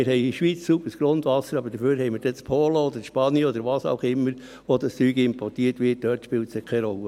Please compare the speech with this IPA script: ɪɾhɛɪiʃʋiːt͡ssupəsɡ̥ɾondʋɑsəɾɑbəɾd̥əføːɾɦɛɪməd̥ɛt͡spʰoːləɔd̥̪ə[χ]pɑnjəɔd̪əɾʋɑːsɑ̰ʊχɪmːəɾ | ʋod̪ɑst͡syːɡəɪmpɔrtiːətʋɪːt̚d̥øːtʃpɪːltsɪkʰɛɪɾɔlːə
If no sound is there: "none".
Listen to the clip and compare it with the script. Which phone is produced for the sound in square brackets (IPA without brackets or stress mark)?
ʃ